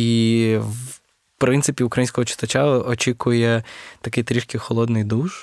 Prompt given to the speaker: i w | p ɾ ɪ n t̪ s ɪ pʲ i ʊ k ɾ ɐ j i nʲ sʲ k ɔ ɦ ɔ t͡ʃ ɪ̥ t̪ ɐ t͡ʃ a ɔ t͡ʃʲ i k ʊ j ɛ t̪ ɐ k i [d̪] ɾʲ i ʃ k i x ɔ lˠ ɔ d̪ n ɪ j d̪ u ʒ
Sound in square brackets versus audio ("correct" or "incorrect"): incorrect